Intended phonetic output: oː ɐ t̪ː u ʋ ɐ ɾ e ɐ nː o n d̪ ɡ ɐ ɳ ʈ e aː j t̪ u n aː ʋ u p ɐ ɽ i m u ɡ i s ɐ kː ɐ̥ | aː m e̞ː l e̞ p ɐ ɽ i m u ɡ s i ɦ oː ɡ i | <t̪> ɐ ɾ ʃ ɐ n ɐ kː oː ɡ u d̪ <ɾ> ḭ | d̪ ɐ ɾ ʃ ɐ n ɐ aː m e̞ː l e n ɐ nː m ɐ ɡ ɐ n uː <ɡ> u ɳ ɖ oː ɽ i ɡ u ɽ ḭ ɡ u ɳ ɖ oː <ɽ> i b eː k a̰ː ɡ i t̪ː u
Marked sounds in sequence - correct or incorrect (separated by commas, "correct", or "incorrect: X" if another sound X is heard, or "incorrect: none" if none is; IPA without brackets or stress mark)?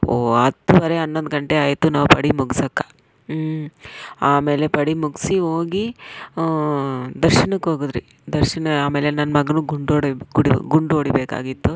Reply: incorrect: d̪, correct, correct, correct